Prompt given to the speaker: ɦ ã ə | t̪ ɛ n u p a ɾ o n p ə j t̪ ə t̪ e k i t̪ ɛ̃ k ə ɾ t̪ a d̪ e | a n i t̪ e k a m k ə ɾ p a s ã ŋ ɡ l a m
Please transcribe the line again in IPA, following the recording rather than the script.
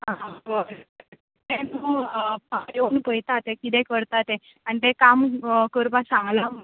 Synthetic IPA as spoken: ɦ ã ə | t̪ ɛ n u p a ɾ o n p ə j t̪ a t̪ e k i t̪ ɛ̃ k ə ɾ t̪ a t̪ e | a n i t̪ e k a m k ə ɾ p a s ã ŋ ɡ l a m